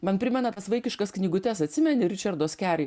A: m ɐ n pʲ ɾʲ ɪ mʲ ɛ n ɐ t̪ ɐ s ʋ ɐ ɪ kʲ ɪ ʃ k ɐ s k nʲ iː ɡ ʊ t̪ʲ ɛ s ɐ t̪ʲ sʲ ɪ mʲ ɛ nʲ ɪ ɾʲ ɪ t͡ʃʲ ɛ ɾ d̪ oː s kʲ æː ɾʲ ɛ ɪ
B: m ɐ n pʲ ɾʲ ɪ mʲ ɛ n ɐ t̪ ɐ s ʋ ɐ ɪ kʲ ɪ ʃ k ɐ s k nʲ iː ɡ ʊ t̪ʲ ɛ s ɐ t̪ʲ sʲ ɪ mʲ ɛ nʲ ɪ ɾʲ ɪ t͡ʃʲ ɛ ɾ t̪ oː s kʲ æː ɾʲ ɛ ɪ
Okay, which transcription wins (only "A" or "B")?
A